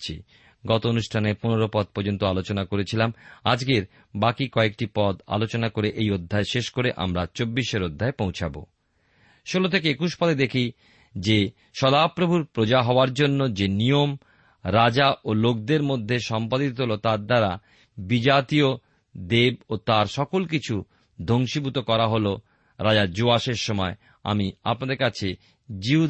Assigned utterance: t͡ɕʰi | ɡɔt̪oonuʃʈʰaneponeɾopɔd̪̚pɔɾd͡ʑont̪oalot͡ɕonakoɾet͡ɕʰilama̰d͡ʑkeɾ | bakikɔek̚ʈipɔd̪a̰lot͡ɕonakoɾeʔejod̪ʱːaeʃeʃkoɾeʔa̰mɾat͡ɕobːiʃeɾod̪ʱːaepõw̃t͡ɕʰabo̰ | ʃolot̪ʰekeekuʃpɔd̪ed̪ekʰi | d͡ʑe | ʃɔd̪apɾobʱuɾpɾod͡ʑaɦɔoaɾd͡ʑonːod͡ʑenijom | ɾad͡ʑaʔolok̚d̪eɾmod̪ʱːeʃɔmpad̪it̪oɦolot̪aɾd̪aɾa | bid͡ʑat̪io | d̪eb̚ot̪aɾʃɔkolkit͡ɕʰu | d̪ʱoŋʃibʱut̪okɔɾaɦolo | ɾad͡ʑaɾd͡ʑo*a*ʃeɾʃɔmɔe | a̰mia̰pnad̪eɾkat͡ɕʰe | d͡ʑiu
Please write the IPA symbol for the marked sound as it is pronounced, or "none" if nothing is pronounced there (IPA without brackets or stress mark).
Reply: a